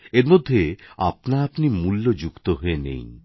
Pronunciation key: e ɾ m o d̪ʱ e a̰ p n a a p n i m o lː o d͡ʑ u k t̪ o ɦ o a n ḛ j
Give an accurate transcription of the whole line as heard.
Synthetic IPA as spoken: e ɾ m o d̪ʱː e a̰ p n a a p n i m u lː o d͡ʑ u k t̪ o ɦ o e n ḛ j

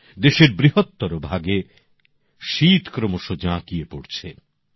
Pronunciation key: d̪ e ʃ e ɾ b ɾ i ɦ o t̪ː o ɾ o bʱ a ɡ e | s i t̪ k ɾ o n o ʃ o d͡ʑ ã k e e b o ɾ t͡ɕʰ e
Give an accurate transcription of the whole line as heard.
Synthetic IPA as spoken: d̪ e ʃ e ɾ b ɾ i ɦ o t̪ː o ɾ o bʱ a ɡ e | ʃ i t̪ k ɾ o m o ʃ o d͡ʑ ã k i e p o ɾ t͡ɕʰ e

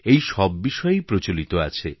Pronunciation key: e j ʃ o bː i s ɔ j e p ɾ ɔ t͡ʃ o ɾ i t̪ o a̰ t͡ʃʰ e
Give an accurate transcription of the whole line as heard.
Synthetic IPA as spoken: e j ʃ ɔ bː i ʃ ɔ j e p ɾ o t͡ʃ o l i t̪ o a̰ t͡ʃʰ e

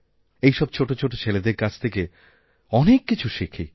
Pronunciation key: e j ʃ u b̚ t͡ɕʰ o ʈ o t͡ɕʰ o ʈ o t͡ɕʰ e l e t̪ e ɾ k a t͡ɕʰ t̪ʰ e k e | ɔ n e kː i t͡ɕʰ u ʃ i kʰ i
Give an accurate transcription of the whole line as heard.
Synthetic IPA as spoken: e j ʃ ɔ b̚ t͡ɕʰ o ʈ o t͡ɕʰ o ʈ o t͡ɕʰ e l e d̪ e ɾ k a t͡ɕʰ t̪ʰ e k e | ɔ n e kː i t͡ɕʰ u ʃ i kʰ i

